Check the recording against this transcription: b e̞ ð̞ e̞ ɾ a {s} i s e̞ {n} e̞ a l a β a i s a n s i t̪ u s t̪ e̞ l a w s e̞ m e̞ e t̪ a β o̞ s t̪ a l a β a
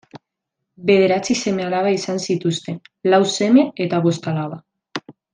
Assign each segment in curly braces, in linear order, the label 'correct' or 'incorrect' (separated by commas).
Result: incorrect, incorrect